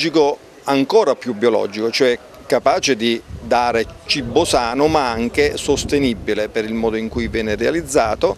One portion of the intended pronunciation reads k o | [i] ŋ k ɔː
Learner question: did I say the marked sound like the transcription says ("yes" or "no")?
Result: no